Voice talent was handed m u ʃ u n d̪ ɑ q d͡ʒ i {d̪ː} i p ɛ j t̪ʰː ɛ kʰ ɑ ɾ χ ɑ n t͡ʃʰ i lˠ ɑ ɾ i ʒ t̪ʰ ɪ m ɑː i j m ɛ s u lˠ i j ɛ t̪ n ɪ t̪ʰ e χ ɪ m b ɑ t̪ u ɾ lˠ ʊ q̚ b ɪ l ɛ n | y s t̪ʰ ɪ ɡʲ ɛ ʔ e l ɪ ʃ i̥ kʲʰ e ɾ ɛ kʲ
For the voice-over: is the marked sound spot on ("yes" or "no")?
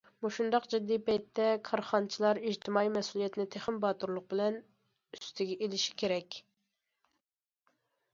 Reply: yes